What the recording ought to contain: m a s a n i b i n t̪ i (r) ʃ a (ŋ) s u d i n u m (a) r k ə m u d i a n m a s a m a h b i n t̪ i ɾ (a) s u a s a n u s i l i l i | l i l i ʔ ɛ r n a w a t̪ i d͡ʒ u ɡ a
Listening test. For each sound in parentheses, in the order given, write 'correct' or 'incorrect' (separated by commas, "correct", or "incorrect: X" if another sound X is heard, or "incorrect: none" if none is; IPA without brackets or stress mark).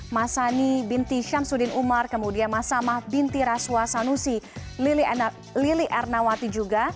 incorrect: none, incorrect: m, correct, correct